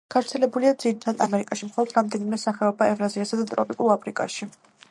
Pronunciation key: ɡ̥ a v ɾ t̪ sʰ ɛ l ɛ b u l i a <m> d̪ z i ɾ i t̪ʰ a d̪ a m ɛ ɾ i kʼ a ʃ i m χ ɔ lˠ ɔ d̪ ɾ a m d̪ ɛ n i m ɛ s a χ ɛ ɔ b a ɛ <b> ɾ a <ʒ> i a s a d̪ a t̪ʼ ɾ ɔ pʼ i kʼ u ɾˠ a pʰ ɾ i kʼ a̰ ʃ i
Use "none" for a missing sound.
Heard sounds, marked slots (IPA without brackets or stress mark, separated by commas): none, v, z